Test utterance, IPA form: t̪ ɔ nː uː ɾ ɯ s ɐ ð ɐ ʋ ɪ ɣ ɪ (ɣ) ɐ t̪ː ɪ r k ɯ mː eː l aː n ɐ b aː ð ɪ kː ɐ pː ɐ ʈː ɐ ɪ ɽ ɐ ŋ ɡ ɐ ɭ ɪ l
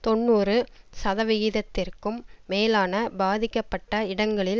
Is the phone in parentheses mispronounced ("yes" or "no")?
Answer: yes